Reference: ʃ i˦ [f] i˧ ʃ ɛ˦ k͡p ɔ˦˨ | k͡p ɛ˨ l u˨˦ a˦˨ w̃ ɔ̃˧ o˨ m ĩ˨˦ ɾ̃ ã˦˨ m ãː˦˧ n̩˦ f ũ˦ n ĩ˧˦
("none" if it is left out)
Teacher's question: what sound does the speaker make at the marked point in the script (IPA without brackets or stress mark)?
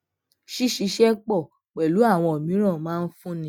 ʃ